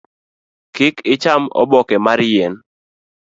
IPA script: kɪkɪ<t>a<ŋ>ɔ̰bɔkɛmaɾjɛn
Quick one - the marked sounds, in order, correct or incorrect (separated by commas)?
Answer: incorrect, incorrect